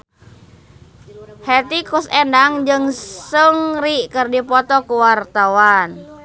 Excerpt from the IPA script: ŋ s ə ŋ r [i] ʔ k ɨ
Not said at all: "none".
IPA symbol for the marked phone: i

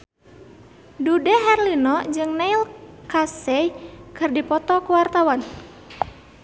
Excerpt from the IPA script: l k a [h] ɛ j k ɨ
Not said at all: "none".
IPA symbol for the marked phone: s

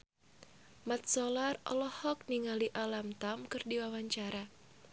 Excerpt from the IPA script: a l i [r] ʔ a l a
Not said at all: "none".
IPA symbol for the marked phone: none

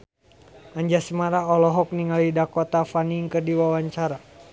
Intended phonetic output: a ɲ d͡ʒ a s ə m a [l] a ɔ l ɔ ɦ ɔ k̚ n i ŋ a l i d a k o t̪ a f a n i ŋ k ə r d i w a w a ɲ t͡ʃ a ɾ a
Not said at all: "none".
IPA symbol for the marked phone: ɾ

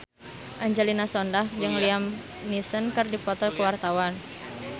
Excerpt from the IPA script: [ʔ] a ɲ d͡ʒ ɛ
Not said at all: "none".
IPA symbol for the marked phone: ʔ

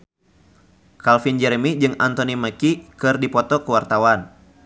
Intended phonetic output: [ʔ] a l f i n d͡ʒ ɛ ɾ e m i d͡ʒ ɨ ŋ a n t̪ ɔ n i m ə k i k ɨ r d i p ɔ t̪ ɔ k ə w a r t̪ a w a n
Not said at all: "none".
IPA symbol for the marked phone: k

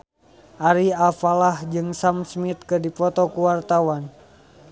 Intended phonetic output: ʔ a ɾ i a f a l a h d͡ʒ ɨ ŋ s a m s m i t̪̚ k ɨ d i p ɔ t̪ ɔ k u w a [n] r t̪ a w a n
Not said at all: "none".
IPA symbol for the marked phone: none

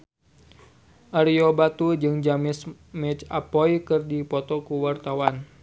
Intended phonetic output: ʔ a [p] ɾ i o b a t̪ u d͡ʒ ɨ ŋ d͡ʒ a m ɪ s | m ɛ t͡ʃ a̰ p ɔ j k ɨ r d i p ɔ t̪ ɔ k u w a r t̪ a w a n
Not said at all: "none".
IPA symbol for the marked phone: none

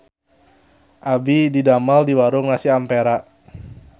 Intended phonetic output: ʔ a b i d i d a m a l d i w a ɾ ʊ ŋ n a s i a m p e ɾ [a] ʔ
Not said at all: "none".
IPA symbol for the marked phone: a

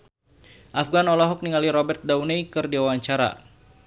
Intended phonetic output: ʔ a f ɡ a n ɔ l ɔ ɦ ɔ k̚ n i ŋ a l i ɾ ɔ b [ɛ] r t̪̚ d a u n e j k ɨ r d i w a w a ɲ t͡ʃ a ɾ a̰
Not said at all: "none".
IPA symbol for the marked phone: ɛ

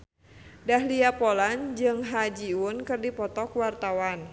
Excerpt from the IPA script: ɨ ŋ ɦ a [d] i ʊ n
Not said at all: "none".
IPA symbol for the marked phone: d͡ʒ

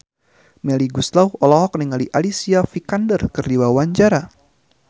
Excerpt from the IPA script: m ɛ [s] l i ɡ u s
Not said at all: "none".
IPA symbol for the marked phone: none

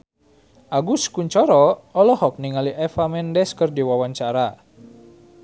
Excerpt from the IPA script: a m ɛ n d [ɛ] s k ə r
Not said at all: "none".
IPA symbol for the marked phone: ɛ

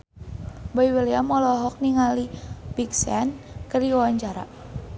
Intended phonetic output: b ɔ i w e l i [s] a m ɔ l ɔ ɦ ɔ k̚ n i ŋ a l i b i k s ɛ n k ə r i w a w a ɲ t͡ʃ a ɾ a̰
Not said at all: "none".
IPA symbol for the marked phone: none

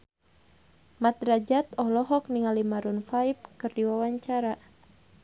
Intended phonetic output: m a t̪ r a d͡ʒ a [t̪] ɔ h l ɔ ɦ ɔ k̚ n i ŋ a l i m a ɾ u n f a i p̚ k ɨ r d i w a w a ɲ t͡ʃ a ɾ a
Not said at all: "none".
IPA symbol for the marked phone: t̪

